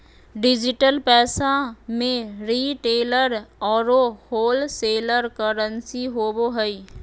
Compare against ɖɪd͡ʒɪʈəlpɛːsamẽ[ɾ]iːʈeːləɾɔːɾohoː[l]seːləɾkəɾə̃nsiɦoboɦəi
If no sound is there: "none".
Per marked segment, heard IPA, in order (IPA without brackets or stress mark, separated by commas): ɾ, l